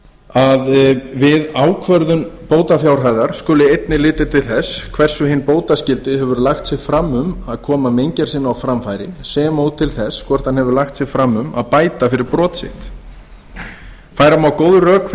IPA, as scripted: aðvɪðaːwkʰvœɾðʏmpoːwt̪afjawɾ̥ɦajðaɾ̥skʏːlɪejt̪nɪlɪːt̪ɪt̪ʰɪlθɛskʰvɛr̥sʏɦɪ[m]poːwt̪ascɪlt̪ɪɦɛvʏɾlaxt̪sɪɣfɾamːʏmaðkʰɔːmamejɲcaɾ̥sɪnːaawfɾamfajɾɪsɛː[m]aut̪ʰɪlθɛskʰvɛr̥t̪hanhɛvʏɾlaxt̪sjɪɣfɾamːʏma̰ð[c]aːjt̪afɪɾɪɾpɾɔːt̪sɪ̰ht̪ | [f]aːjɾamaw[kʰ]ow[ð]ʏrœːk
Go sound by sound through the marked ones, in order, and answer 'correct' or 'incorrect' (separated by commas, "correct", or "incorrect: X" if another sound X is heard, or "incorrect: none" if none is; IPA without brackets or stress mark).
incorrect: n, correct, incorrect: p, correct, incorrect: k, correct